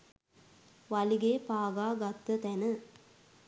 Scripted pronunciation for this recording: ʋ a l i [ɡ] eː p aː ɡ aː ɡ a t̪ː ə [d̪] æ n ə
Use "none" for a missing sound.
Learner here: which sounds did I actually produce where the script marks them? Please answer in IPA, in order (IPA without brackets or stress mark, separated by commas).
ɡ, t̪